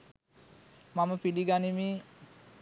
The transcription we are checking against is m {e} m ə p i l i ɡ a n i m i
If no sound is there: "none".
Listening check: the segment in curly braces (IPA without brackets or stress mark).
a